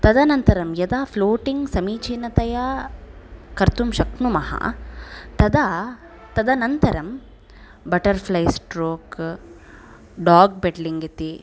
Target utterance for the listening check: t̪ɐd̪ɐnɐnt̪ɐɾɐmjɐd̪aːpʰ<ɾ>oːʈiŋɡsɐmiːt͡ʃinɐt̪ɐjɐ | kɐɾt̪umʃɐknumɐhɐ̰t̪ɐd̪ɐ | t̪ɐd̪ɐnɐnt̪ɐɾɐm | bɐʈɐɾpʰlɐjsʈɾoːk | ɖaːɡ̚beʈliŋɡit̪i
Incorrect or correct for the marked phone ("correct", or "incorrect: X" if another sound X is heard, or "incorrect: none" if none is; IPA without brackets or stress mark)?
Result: incorrect: l